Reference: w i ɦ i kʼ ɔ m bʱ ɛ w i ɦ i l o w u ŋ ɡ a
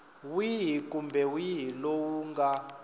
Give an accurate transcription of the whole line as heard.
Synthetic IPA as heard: w i ɦ i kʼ u m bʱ ɛ w i ɦ i l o w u ŋ ɡ a